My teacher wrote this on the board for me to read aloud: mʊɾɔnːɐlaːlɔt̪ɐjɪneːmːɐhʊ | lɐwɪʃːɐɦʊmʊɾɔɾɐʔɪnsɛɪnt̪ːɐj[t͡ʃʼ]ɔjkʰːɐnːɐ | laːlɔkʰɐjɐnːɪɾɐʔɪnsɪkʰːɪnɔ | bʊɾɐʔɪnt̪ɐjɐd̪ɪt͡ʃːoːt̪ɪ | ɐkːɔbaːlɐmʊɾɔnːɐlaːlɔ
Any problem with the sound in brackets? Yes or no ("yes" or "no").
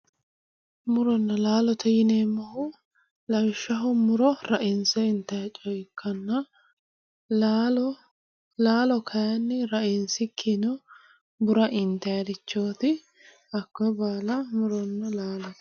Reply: no